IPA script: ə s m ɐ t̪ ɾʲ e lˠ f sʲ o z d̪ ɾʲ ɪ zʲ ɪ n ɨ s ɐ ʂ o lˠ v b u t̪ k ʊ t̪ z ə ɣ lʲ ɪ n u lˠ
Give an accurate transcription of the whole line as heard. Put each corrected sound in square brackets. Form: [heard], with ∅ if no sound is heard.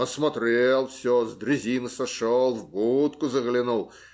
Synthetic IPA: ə s m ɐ t̪ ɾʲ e lˠ f sʲ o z d̪ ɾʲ ɪ zʲ [i] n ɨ s ɐ ʂ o lˠ v b u t̪ k ʊ [∅] z ə ɣ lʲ ɪ n u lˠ

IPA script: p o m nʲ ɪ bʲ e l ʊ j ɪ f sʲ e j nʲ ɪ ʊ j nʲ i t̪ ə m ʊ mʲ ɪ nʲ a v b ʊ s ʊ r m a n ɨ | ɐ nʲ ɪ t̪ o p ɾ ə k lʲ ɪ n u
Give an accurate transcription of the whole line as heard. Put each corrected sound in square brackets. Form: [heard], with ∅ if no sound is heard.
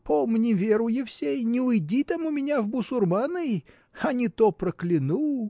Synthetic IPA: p o m nʲ ɪ [vʲ] e [ɾ] ʊ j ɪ f sʲ e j nʲ ɪ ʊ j [dʲ] i t̪ [a] m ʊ mʲ ɪ nʲ a v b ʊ s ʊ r m a n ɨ | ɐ nʲ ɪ t̪ o p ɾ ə k lʲ ɪ n u

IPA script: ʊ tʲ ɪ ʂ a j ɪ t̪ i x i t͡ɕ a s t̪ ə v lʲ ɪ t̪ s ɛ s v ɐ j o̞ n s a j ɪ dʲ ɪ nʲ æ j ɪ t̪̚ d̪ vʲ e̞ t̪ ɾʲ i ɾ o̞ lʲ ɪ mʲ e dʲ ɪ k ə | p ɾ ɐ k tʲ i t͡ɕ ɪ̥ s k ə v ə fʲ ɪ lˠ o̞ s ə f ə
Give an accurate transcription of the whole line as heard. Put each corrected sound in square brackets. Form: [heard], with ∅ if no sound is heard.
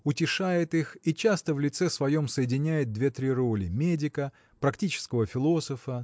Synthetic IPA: ʊ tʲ ɪ ʂ a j ɪ t̪ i x i t͡ɕ a s t̪ ə v lʲ ɪ t̪ s ɛ s v ɐ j o̞ [m] s [ə] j ɪ dʲ ɪ nʲ æ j ɪ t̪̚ d̪ vʲ e̞ t̪ ɾʲ i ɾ o̞ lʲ ɪ mʲ e dʲ ɪ k ə | p ɾ ɐ k tʲ i t͡ɕ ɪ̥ s k ə v ə fʲ ɪ lˠ o̞ s ə f ə

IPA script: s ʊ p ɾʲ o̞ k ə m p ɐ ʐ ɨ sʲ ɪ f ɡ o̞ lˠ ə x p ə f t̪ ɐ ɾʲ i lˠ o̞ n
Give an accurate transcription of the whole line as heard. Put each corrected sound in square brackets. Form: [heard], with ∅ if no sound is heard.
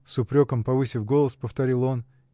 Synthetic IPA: s ʊ p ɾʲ o̞ k ə m p ɐ [v] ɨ sʲ ɪ f ɡ o̞ lˠ ə [s] p ə f t̪ ɐ ɾʲ i lˠ o̞ n

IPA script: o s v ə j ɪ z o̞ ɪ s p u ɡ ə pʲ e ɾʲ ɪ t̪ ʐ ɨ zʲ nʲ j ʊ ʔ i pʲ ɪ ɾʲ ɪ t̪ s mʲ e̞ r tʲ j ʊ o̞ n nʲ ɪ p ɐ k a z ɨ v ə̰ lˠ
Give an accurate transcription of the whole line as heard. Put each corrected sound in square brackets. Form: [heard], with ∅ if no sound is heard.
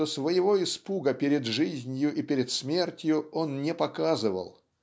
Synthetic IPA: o s v ə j ɪ [v] o̞ ɪ s p u ɡ ə pʲ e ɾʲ ɪ [d̪] ʐ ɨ zʲ nʲ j ʊ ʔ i pʲ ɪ ɾʲ ɪ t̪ s mʲ e̞ r tʲ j ʊ o̞ n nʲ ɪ p ɐ k a z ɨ v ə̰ lˠ

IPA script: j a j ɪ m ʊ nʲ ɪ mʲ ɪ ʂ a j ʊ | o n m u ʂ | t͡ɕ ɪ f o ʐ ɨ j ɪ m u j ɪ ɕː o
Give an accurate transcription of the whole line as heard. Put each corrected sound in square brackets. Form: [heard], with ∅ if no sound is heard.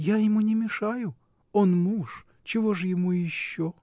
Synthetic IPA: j a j ɪ m [u] nʲ ɪ mʲ ɪ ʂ a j ʊ | o n m u ʂ | t͡ɕ ɪ [v] o ʐ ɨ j ɪ m u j ɪ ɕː o

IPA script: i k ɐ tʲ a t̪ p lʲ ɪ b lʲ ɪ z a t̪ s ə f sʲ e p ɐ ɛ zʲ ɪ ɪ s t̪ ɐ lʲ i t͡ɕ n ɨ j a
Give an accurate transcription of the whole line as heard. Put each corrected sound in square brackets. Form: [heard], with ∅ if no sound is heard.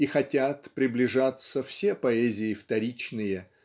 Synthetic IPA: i [x] ɐ tʲ a t̪ p [ɾʲ] ɪ b lʲ ɪ [ʐ] a t̪ s ə f sʲ e p ɐ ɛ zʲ ɪ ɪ [f] t̪ ɐ [ɾʲ] i t͡ɕ n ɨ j [ə]

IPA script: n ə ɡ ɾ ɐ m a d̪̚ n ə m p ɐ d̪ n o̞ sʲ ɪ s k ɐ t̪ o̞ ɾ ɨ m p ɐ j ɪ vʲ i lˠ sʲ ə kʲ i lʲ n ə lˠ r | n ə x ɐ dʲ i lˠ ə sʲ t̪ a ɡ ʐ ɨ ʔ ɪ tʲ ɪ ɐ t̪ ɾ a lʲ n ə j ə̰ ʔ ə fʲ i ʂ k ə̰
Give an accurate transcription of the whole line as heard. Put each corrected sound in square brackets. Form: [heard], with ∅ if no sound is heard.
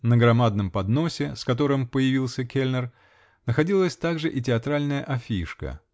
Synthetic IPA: n ə ɡ ɾ ɐ m a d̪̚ n ə m p ɐ d̪ n o̞ sʲ ɪ s k ɐ t̪ o̞ ɾ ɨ m p [ə] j ɪ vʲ i lˠ sʲ ə kʲ [e] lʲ n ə [∅] r | n ə x ɐ dʲ i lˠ ə sʲ t̪ a ɡ ʐ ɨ ʔ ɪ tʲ ɪ ɐ t̪ ɾ a lʲ n ə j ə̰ ʔ [ɐ] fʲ i ʂ k ə̰

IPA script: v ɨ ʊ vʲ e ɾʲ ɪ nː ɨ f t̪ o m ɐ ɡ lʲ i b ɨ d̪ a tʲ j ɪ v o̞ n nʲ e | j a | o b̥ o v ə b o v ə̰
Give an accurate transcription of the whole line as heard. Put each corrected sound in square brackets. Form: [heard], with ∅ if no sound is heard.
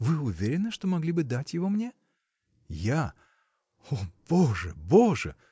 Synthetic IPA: v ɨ ʊ vʲ e ɾʲ ɪ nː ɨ [ʂ] t̪ o m ɐ ɡ lʲ i b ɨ d̪ a tʲ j ɪ v o̞ [m] nʲ e | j a | o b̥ o [ʐ] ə b o [ʐ] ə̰

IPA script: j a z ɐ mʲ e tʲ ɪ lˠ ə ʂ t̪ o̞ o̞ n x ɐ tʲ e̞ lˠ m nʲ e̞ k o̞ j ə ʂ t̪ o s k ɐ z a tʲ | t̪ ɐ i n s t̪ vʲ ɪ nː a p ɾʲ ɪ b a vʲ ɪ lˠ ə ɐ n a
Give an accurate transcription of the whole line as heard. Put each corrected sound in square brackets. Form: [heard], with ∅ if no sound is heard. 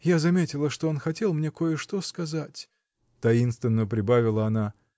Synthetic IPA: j a z ɐ mʲ e tʲ ɪ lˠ ə ʂ t̪ o̞ o̞ n x ɐ tʲ e̞ lˠ m nʲ e̞ k o̞ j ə ʂ t̪ o s k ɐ z a tʲ | t̪ ɐ i n s t̪ vʲ ɪ nː [ə] p ɾʲ ɪ b a vʲ ɪ lˠ ə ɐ n a

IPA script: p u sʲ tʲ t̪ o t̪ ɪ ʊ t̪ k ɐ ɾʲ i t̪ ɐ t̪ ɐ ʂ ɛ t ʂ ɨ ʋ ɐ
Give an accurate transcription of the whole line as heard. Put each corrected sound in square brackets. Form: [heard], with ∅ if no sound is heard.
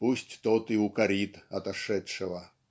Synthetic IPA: p u sʲ tʲ t̪ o t̪ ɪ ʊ [∅] k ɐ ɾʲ i t̪ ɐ t̪ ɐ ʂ ɛ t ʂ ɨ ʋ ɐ

